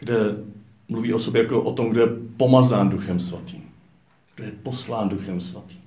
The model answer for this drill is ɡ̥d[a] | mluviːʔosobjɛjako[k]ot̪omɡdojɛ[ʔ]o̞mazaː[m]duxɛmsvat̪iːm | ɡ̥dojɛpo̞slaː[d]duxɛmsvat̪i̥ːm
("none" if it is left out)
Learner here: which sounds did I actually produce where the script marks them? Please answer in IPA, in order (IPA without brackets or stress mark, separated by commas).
ɛ, ʔ, p, n, n